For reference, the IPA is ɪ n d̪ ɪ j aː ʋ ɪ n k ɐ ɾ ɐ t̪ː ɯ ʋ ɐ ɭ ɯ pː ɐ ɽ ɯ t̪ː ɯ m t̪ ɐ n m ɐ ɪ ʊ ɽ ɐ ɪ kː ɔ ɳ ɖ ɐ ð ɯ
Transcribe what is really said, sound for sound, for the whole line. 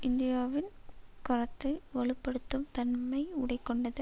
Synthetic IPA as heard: ɪ n d̪ ɪ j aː ʋ ɪ n k ɐ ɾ ɐ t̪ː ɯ ʋ ɐ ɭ ɯ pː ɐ ɽ ɯ t̪ː ɯ m t̪ ɐ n m ɐ ɪ ʊ ɽ ɐ ɪ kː ɔ ɳ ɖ ɐ ð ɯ